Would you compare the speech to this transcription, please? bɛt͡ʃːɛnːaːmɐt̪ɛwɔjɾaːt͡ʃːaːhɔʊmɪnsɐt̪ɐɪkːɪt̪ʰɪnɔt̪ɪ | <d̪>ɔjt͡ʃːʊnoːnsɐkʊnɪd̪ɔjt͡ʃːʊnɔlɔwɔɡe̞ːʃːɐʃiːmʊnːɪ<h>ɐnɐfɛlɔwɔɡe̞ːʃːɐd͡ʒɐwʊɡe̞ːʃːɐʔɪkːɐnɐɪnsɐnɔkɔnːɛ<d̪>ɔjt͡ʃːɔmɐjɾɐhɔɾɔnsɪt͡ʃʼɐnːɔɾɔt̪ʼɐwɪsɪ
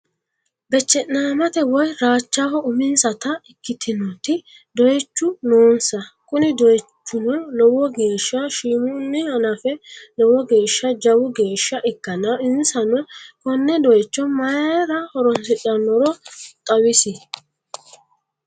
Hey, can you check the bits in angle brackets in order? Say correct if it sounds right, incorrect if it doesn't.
correct, correct, correct

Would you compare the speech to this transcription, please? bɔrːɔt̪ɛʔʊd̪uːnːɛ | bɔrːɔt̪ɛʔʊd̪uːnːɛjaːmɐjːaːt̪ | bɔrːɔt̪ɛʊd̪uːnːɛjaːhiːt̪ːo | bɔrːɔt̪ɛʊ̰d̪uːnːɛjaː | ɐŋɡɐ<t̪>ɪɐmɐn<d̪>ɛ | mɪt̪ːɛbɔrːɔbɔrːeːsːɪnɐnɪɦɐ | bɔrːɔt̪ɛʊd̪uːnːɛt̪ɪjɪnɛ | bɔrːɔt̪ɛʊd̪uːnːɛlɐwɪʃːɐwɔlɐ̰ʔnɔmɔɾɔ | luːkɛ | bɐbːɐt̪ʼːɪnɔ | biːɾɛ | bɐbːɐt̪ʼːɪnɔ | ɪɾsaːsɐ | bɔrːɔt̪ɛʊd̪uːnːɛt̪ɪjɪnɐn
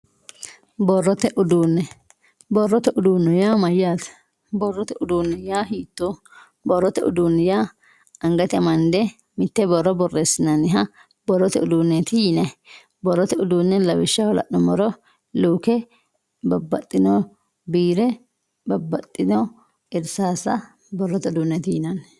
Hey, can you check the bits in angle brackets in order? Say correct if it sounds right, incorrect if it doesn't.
correct, correct

